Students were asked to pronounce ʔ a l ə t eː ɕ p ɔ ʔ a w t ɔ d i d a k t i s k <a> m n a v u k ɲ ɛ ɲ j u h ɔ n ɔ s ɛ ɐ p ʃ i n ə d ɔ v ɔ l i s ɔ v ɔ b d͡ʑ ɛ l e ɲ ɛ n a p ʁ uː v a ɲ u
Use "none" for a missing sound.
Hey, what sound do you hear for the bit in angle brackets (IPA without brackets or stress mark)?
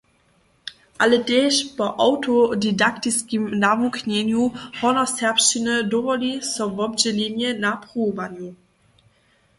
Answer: i